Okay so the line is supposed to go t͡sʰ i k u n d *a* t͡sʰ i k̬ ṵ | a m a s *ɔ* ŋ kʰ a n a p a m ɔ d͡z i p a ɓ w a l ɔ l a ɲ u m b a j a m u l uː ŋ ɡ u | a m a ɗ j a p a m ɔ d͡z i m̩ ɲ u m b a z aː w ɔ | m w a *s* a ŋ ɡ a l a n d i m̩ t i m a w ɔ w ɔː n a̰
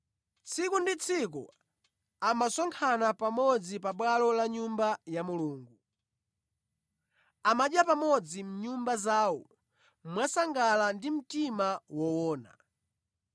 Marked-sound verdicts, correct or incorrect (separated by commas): incorrect, correct, correct